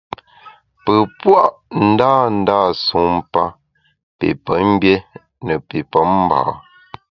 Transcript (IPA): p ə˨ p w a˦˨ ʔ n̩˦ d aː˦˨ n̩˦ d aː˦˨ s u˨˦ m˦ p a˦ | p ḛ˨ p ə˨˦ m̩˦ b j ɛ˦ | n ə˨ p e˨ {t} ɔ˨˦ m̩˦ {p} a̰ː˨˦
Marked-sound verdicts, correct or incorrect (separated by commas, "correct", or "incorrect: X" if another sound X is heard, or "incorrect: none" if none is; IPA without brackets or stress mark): incorrect: p, incorrect: b